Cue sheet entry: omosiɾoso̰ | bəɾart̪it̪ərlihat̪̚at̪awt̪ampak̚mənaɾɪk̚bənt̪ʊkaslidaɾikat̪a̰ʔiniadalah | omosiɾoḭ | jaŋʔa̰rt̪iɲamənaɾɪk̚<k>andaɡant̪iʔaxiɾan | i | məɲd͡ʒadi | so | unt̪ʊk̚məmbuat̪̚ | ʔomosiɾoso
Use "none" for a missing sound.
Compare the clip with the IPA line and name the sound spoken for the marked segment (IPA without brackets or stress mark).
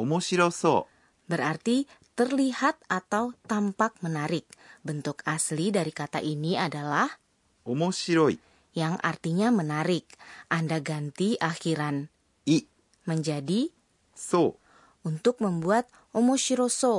ʔ